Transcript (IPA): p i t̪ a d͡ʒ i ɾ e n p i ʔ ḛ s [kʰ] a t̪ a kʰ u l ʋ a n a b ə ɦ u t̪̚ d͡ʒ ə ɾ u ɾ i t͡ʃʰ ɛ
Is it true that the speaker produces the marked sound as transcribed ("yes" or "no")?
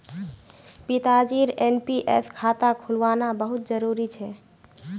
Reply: yes